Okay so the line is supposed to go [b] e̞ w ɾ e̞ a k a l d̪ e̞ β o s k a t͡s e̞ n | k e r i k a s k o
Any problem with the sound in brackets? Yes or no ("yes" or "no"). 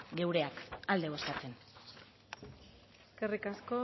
yes